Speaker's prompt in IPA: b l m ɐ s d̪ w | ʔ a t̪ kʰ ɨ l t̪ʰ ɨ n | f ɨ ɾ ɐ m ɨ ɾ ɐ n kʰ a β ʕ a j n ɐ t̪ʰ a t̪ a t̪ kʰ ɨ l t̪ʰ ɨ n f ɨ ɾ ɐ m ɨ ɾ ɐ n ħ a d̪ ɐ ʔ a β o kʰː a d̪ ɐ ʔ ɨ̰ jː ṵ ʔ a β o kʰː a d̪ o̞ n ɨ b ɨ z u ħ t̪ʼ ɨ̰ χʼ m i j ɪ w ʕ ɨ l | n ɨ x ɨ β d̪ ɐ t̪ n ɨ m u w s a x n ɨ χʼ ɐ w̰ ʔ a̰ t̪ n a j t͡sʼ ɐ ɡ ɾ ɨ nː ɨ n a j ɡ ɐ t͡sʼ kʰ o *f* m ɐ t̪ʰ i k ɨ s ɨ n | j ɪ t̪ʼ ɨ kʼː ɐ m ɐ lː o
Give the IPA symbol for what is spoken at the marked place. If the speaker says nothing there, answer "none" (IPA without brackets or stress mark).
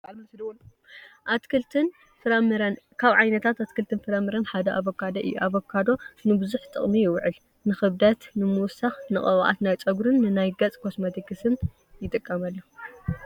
s